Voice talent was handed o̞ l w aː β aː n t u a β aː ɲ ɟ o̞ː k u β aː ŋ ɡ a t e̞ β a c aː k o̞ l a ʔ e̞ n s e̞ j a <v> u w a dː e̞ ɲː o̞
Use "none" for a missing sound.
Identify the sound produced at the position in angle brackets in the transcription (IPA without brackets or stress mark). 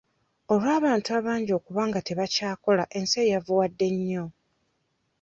v